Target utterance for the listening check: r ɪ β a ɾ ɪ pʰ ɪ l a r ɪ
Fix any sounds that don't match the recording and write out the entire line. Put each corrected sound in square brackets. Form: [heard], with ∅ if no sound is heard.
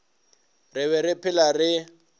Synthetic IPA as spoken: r ɪ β [ɛ] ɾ ɪ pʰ ɪ l a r ɪ